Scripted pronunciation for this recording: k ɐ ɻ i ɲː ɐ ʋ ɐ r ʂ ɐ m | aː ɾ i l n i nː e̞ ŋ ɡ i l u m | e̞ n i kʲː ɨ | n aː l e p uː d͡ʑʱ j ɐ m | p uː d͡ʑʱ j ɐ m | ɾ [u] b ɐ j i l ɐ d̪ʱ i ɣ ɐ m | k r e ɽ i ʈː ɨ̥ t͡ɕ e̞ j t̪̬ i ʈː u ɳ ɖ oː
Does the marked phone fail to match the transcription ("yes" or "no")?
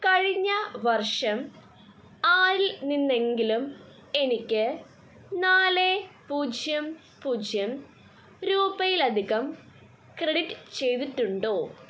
yes